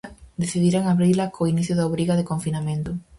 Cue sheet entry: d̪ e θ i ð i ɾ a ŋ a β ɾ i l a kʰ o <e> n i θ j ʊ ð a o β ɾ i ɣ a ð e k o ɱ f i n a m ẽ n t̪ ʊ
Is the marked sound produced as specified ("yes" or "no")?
no